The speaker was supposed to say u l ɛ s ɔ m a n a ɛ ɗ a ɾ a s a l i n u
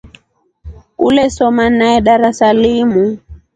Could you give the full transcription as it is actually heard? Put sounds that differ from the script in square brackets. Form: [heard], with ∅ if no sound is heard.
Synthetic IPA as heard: u l ɛ s ɔ m a n a ɛ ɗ a ɾ a s a l i [m] u